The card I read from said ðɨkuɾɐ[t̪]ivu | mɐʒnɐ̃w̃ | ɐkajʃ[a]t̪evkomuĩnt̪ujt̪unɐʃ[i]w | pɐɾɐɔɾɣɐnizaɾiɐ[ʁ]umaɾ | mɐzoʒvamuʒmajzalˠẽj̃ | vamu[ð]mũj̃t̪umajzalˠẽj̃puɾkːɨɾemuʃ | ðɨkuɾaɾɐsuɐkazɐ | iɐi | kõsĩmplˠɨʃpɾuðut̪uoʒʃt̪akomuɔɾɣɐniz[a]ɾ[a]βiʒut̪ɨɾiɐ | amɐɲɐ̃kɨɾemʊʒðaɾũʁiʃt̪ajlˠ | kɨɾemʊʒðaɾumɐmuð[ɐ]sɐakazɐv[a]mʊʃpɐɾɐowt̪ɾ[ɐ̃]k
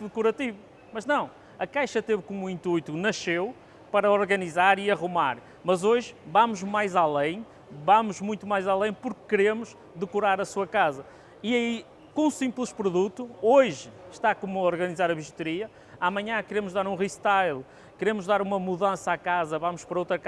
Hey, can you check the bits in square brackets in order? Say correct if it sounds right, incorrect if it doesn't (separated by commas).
correct, incorrect, incorrect, correct, incorrect, correct, incorrect, incorrect, correct, incorrect